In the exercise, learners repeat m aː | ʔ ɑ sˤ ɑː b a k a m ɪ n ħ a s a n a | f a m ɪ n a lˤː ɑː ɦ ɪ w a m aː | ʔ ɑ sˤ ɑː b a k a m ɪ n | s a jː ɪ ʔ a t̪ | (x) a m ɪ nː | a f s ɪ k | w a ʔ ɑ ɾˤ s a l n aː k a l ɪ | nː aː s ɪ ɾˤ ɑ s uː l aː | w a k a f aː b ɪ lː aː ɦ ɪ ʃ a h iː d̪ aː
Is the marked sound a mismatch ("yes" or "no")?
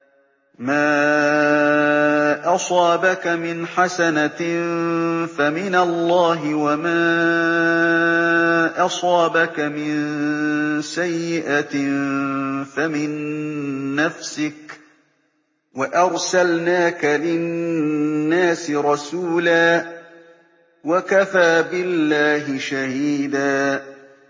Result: yes